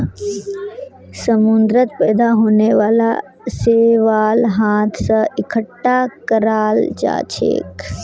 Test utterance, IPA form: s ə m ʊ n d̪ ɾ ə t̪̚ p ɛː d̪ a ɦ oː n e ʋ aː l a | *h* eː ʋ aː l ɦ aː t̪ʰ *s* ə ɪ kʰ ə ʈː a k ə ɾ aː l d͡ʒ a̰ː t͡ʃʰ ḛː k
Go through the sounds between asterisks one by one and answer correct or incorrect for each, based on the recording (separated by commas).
incorrect, correct